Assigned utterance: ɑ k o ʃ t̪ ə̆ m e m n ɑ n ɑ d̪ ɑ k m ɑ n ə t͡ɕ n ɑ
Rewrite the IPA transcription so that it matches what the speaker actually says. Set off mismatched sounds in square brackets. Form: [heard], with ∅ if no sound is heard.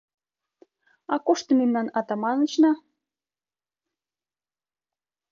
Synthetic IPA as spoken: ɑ k o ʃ t̪ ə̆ m e m n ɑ n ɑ [t̪] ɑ [∅] m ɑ n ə t͡ɕ n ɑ